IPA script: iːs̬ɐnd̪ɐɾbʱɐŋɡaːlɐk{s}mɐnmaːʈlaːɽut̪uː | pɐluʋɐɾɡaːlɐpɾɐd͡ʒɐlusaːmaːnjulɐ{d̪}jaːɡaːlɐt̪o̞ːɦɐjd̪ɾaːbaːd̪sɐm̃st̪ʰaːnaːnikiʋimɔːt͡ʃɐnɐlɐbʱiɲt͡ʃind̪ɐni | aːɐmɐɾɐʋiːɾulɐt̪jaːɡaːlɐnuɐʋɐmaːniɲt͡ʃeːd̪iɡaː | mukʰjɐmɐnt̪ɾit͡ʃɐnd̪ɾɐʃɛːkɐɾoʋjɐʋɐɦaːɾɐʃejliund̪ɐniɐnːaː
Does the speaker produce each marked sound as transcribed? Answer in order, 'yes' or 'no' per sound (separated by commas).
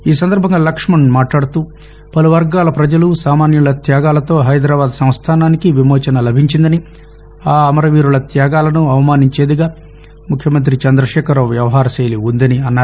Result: no, no